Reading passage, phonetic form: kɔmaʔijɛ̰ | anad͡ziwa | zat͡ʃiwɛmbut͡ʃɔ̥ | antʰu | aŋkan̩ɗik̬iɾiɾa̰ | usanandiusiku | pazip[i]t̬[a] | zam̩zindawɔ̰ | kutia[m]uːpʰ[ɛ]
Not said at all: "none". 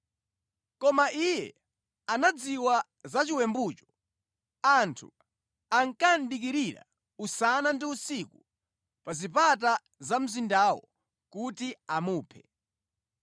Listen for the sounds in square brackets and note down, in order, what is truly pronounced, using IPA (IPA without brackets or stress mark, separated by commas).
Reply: a, a, m, ɛ